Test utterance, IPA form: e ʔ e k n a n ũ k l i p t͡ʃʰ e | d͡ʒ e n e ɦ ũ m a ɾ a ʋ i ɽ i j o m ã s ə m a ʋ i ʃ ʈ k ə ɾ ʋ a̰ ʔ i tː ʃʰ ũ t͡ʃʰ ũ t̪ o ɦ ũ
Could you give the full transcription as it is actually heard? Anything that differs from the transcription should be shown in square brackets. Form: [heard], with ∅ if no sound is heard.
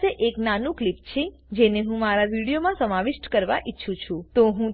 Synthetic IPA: e ʔ e k n a n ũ k l i p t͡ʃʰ e | d͡ʒ e n e ɦ ũ m a ɾ a ʋ i ɽ i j o m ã s ə m a ʋ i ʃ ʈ k ə ɾ ʋ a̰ ʔ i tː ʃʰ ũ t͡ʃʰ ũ t̪ o ɦ ũ